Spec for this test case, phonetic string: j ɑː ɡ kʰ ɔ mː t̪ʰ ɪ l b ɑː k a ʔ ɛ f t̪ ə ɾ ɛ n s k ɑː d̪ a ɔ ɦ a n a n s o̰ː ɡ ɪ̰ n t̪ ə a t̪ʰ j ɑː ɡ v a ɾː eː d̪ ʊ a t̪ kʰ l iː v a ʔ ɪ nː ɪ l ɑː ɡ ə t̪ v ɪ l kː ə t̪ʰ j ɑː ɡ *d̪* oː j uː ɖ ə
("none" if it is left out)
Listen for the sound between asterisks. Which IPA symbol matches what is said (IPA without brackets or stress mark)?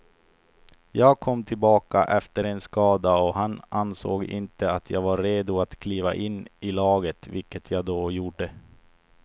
d̪